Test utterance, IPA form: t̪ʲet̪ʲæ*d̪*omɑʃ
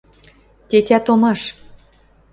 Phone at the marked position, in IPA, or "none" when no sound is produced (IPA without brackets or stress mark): t̪